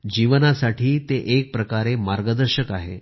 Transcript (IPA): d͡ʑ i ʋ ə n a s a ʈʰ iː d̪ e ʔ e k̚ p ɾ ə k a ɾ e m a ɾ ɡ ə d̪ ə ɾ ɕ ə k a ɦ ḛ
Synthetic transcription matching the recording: d͡ʑ i ʋ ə n a s a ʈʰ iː t̪ e ʔ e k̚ p ɾ ə k a ɾ e m a ɾ ɡ ə d̪ ə ɾ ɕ ə k a ɦ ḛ

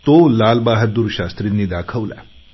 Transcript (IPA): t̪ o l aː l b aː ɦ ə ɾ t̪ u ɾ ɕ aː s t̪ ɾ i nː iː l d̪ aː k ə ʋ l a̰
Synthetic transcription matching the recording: t̪ o l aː l b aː ɦ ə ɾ d̪ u ɾ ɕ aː s t̪ ɾ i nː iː d̪ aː kʰ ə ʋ l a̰

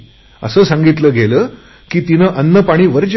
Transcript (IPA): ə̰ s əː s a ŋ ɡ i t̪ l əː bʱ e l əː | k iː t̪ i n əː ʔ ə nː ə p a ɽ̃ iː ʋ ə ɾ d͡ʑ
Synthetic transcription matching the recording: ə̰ s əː s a ŋ ɡ i t̪ l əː ɡʱ e l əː | k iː t̪ i n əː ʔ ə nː ə p a ɽ̃ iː ʋ ə ɾ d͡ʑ

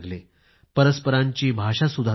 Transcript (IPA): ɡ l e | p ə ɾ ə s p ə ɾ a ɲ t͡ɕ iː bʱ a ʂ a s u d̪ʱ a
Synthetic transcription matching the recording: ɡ l e | p ə ɾ ə s p ə ɾ a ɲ t͡ɕ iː bʱ a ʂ a s u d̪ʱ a

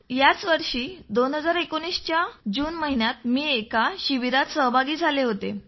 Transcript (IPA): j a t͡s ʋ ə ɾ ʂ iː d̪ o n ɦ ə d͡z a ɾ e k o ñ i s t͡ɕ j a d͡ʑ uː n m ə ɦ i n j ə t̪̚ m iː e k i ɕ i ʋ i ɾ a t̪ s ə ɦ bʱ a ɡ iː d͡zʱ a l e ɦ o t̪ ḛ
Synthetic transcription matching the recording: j a t͡s ʋ ə ɾ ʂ iː d̪ o n ɦ ə d͡z a ɾ e k o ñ i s t͡ɕ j a d͡ʑ uː n m ə ɦ i n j a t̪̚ m iː e k a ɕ i ʋ i ɾ a t̪ s ə ɦ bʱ a ɡ iː d͡zʱ a l e ɦ o t̪ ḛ

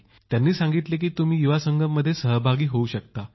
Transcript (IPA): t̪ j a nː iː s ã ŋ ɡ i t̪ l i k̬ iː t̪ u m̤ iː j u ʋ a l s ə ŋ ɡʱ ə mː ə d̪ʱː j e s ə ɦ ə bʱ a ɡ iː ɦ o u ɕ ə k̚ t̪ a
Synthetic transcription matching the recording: t̪ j a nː iː s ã ŋ ɡ i t̪ l e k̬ iː t̪ u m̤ iː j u ʋ a s ə ŋ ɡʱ ə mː ə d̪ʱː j e s ə ɦ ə bʱ a ɡ iː ɦ o u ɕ ə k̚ t̪ a

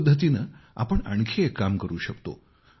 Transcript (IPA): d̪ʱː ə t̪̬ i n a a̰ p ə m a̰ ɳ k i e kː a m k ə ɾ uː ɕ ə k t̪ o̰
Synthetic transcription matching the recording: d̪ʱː ə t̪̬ i n ə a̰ p ə ɳ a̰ ɳ kʰ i e kː a m k ə ɾ uː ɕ ə k t̪ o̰

